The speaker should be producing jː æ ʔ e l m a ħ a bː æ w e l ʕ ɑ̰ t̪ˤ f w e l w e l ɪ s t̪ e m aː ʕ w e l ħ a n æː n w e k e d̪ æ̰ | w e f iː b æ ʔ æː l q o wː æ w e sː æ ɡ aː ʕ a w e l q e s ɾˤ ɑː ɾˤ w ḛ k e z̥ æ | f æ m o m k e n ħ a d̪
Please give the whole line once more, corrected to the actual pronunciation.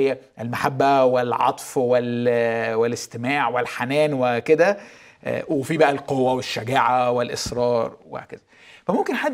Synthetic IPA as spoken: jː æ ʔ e l m a ħ a bː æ w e l ʕ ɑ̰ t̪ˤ f w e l w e l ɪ s t̪ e m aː ʕ w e l ħ a n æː n w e k e d̪ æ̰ | w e f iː b æ ʔ æ l q o wː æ w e ʃː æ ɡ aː ʕ a w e l ʔ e s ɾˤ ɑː ɾˤ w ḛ k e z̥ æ | f æ m o m k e n ħ a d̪